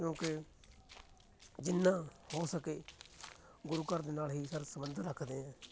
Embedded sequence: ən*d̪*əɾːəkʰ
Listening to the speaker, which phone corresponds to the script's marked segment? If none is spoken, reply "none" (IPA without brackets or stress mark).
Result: d̪